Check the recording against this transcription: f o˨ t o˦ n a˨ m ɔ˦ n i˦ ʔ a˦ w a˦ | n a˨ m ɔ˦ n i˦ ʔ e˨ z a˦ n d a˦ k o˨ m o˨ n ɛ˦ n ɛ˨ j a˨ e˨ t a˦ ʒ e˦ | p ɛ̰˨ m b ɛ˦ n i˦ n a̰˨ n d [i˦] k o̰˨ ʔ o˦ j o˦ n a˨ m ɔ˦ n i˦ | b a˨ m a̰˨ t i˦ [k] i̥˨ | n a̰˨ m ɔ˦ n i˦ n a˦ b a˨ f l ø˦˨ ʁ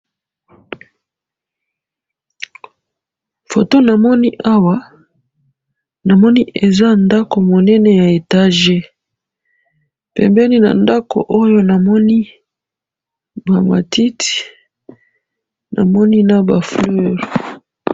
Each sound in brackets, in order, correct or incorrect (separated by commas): incorrect, incorrect